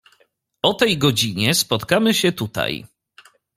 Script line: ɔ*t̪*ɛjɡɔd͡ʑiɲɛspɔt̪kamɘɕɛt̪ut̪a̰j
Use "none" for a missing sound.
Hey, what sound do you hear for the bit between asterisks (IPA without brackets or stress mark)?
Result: t̪